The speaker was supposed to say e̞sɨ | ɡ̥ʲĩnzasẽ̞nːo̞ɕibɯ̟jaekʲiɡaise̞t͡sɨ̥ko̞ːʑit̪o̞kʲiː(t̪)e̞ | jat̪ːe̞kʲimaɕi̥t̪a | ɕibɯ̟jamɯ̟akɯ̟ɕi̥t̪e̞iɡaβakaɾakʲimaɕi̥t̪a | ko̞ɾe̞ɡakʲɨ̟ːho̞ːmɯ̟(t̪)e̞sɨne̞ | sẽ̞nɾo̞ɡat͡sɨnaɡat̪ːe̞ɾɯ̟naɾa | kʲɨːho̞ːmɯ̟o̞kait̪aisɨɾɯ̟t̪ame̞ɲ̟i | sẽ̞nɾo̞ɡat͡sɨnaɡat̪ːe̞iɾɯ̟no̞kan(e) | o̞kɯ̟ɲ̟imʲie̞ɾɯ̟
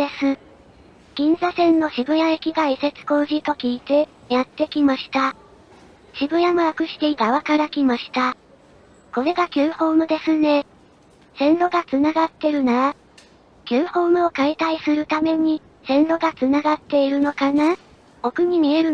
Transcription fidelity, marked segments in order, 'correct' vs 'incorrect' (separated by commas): correct, incorrect, incorrect